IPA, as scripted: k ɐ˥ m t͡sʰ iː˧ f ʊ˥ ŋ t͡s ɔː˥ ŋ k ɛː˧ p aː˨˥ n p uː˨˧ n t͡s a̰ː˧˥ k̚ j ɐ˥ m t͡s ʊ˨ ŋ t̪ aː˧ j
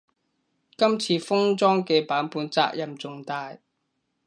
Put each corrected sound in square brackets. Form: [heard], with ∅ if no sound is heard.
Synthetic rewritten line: k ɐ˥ m t͡sʰ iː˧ f ʊ˥ ŋ t͡s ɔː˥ ŋ k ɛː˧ p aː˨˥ n p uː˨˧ n t͡s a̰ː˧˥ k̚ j [ɐ˨˩] m t͡s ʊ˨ ŋ t̪ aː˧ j